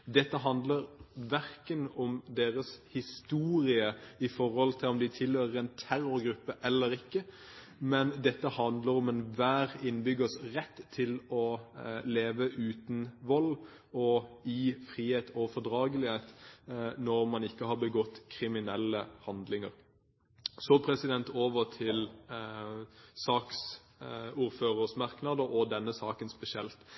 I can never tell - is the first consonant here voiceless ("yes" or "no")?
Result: no